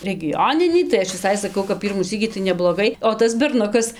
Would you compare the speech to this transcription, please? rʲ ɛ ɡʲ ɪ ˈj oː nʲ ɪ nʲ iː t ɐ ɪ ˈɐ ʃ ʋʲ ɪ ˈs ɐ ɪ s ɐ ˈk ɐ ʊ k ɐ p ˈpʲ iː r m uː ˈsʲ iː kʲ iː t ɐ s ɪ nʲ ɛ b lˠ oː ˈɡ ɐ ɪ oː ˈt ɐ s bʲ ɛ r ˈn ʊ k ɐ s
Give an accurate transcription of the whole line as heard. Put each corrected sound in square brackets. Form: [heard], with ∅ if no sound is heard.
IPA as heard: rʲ ɛ ɡʲ ɪ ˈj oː nʲ ɪ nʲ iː t ɐ ɪ ˈɐ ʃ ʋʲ ɪ ˈs ɐ ɪ s ɐ ˈk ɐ ʊ k ɐ p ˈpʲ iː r m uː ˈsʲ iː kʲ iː t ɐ [∅] ɪ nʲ ɛ b lˠ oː ˈɡ ɐ ɪ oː ˈt ɐ s bʲ ɛ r ˈn ʊ k ɐ s

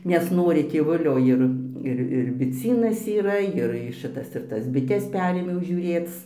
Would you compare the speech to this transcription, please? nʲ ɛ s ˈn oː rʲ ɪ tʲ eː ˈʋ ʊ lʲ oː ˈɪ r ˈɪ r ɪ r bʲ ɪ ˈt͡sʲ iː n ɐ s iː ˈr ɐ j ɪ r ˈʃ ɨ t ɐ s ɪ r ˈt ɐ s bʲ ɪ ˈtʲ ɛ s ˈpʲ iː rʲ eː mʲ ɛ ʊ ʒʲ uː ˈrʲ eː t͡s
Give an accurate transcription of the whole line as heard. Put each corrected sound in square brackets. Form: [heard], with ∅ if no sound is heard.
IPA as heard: nʲ ɛ s ˈn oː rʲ ɪ tʲ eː ˈʋ ʊ lʲ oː ˈɪ r ˈɪ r ɪ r bʲ ɪ ˈt͡sʲ iː n ɐ s iː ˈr ɐ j ɪ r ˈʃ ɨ t ɐ s ɪ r ˈt ɐ s bʲ ɪ ˈtʲ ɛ s ˈpʲ [æː] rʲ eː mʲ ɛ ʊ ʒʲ uː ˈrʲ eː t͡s

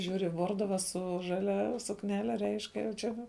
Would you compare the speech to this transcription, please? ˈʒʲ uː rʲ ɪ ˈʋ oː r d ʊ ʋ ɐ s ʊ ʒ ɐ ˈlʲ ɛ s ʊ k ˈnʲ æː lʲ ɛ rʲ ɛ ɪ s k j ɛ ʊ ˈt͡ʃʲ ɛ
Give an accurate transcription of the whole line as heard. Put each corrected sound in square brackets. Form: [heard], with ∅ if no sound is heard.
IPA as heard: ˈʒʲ uː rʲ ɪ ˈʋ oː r d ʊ ʋ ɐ s ʊ ʒ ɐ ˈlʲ ɛ s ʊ k ˈnʲ æː lʲ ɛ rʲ ɛ ɪ [ʃ] k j ɛ ʊ ˈt͡ʃʲ ɛ

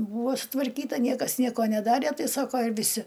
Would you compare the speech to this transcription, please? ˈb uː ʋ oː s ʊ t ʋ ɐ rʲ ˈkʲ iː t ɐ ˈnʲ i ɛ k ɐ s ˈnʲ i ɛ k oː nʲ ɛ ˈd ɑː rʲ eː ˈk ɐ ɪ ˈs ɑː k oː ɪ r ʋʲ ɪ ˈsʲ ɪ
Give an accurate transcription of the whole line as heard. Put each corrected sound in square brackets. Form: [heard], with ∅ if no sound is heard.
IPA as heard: ˈb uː ʋ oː s ʊ t ʋ ɐ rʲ ˈkʲ iː t ɐ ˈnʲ i ɛ k ɐ s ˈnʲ i ɛ k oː nʲ ɛ ˈd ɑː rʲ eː [ˈt] ɐ ɪ ˈs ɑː k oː ɪ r ʋʲ ɪ ˈsʲ ɪ

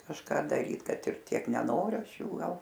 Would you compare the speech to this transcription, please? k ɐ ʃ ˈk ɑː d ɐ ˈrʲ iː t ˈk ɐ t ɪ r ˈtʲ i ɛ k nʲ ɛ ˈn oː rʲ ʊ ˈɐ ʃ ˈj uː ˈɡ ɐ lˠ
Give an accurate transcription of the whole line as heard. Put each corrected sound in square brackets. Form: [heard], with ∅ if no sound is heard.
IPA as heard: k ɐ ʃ ˈk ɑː d ɐ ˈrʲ iː t ˈk ɐ t ɪ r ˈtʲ i ɛ k nʲ ɛ ˈn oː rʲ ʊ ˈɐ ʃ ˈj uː ˈɡ ɐ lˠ

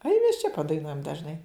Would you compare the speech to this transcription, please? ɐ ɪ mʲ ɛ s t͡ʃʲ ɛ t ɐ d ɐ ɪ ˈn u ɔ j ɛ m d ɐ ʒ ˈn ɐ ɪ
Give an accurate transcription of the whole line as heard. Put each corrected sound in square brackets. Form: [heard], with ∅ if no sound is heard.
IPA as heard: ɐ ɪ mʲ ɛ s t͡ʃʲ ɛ [p] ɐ d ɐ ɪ ˈn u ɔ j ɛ m d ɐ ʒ ˈn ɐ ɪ

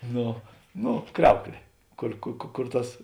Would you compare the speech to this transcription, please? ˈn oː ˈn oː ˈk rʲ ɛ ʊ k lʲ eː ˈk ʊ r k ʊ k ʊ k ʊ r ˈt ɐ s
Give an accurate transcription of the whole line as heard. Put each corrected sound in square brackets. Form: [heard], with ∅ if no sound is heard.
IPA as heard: ˈn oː ˈn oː ˈk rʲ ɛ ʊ k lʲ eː ˈk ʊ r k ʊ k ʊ k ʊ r ˈt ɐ s

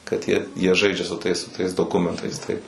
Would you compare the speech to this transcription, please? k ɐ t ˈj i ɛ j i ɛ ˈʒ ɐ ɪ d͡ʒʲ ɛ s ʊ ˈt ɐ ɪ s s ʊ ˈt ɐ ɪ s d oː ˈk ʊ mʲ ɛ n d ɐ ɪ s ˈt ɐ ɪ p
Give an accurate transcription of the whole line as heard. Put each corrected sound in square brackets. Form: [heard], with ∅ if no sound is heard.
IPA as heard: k ɐ t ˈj i ɛ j i ɛ ˈʒ ɐ ɪ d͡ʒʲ ɛ s ʊ ˈt ɐ ɪ s s ʊ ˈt ɐ ɪ s d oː ˈk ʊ mʲ ɛ n [t] ɐ ɪ s ˈt ɐ ɪ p

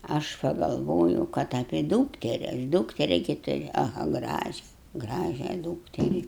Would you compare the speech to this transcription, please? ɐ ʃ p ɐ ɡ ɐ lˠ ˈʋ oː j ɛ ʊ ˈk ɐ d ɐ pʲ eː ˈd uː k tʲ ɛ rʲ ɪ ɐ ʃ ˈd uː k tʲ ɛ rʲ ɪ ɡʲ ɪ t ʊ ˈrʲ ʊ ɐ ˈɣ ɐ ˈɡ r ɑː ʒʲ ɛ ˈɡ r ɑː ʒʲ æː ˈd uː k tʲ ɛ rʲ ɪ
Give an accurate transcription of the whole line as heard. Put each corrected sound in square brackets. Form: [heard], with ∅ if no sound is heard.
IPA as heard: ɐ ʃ p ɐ ɡ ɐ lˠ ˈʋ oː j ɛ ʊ ˈk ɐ [t] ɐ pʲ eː ˈd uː k tʲ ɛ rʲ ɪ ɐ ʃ ˈd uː k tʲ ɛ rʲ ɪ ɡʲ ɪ t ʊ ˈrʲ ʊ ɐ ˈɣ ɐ ˈɡ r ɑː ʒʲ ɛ ˈɡ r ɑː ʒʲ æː ˈd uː k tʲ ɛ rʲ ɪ

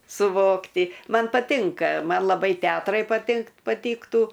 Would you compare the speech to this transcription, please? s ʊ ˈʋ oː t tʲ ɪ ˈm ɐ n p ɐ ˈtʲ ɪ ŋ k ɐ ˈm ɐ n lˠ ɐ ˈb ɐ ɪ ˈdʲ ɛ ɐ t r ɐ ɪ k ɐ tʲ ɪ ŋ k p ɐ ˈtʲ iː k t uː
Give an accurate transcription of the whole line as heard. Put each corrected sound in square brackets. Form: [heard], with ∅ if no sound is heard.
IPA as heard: s ʊ ˈʋ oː [k] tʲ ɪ ˈm ɐ n p ɐ ˈtʲ ɪ ŋ k ɐ ˈm ɐ n lˠ ɐ ˈb ɐ ɪ [ˈtʲ] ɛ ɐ t r ɐ ɪ [p] ɐ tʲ ɪ ŋ k p ɐ ˈtʲ iː k t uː

